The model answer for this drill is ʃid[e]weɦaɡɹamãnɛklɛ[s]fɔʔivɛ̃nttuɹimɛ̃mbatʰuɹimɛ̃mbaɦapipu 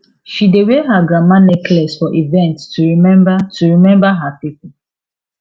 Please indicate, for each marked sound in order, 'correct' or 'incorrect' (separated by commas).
correct, correct